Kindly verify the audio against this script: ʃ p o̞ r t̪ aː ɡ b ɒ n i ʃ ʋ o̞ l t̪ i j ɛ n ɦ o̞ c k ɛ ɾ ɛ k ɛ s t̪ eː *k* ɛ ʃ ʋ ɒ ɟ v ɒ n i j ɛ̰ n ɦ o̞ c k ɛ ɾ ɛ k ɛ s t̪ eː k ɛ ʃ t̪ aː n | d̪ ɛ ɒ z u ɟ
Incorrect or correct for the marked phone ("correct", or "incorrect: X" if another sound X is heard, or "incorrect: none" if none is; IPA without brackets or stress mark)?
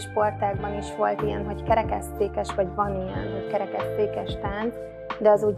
correct